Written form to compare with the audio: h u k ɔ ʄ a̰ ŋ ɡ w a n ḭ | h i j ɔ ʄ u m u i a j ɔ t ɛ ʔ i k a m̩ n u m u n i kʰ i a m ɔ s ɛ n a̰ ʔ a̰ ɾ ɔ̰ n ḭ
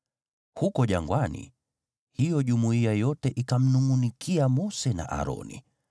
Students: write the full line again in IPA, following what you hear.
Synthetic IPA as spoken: h u k ɔ ʄ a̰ ŋ ɡ w a n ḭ | h i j ɔ ʄ u m u i a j ɔ t ɛ ʔ i k a m̩ n u ŋ u n i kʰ i a m ɔ s ɛ n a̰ ʔ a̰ ɾ ɔ̰ n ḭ